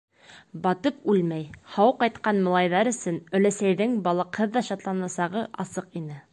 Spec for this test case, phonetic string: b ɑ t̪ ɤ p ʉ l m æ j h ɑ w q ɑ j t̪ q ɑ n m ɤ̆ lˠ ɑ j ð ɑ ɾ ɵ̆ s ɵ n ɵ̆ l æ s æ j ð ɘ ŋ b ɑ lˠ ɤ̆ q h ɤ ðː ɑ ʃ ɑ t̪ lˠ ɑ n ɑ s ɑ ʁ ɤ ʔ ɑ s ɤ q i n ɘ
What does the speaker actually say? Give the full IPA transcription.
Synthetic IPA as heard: b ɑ t̪ ɤ p ʉ l m æ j h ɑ w q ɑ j t̪ q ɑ n m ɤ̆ lˠ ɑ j ð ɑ ɾ ɵ̆ s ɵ n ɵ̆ l æ s æ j ð ɘ ŋ b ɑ lˠ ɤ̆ q h ɤ ðː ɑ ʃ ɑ t̪ lˠ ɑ n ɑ s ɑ ʁ ɤ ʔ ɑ s ɤ q i n ɘ